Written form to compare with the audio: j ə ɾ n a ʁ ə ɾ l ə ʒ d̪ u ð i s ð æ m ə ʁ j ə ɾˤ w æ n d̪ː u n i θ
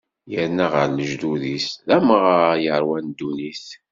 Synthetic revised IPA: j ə ɾ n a ʁ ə ɾ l ə ʒ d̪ u ð i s ð æ m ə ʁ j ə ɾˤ w æ n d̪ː u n i θ